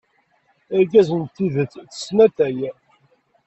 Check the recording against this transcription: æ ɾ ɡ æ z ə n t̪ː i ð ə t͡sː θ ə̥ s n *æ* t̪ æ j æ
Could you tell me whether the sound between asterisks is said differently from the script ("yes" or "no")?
no